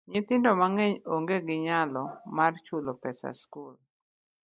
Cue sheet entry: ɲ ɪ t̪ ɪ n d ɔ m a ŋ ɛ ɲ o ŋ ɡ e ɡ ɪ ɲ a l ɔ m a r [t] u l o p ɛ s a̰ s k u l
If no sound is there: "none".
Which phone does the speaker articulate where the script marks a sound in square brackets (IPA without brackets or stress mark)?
t͡ʃ